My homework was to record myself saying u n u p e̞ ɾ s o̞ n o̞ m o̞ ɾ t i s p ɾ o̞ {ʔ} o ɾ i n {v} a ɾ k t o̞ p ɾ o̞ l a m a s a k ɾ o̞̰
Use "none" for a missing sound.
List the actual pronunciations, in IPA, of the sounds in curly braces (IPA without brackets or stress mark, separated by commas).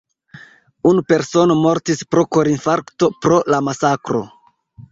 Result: k, f